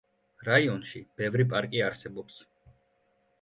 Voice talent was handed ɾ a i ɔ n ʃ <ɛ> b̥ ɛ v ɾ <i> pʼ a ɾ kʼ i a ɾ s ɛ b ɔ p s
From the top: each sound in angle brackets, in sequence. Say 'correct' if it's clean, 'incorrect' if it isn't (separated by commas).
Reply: incorrect, correct